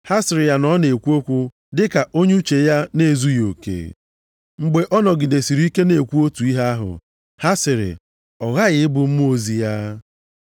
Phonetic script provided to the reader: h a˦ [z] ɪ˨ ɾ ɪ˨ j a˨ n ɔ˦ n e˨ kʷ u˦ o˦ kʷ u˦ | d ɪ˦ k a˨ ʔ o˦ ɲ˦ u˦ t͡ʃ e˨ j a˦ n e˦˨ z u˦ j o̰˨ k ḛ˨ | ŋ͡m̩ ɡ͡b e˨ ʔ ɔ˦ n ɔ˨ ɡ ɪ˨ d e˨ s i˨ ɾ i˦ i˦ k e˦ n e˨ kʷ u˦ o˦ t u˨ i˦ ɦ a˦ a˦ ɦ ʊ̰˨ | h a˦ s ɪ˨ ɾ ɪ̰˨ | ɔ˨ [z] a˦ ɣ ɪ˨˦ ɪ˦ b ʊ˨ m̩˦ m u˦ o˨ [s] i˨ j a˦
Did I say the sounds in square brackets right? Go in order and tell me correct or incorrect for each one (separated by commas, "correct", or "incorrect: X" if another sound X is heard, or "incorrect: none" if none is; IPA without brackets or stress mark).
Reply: incorrect: s, incorrect: ɣ, incorrect: z